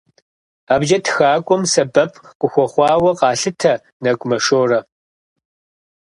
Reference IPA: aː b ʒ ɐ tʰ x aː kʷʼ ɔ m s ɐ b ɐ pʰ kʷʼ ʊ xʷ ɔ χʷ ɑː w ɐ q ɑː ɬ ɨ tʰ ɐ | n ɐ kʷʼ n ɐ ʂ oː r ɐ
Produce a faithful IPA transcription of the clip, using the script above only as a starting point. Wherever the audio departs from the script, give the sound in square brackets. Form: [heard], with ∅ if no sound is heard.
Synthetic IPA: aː b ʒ ɐ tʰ x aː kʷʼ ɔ m s ɐ b ɐ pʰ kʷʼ ʊ xʷ ɔ χʷ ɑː w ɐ q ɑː ɬ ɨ tʰ ɐ | n ɐ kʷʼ [m] ɐ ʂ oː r ɐ